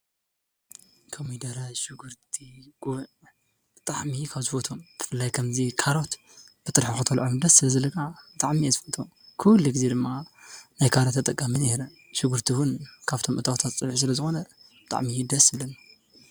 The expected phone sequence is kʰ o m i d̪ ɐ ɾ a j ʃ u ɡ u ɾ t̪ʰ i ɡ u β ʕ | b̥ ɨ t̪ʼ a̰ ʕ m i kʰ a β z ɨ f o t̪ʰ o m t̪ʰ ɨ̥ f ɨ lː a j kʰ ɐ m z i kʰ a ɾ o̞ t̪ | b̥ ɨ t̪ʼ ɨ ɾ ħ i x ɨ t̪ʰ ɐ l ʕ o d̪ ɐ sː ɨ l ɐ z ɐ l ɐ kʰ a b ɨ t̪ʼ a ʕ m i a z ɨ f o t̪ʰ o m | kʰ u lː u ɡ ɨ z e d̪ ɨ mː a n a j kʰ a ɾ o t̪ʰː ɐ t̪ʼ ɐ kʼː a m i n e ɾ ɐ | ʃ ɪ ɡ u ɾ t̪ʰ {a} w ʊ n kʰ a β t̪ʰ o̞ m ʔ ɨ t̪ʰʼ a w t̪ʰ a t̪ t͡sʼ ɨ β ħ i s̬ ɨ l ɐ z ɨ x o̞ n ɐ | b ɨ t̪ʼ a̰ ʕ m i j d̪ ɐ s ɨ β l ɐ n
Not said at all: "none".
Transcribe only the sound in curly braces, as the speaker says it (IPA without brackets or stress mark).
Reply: i